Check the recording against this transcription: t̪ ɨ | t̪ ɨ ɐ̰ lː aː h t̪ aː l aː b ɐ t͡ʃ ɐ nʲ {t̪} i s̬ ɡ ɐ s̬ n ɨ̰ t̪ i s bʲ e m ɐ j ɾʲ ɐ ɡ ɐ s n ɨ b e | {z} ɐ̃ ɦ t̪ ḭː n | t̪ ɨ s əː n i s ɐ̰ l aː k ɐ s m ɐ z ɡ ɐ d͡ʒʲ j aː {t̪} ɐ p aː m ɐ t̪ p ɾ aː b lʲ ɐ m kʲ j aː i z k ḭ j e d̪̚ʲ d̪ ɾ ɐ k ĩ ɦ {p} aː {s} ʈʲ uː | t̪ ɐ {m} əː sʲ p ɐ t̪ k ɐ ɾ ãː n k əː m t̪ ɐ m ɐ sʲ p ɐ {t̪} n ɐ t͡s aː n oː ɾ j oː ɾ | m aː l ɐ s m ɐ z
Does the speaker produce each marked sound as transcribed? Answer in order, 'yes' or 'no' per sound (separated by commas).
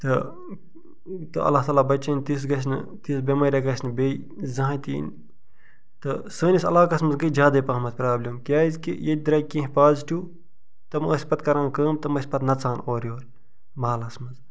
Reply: yes, yes, no, yes, no, yes, yes